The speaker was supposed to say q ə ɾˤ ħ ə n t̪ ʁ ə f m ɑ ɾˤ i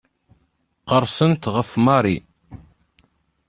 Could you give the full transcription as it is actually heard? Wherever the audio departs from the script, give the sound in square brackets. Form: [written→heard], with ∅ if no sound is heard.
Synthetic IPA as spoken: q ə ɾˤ [ħ→s] ə n t̪ ʁ ə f m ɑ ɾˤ i